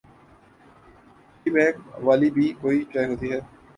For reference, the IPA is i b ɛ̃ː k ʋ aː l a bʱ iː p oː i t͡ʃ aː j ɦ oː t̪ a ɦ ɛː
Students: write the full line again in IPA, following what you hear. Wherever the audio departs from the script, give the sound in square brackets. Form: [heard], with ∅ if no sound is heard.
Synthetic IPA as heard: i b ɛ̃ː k ʋ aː l [i] bʱ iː [k] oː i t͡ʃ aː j ɦ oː t̪ [i] ɦ ɛː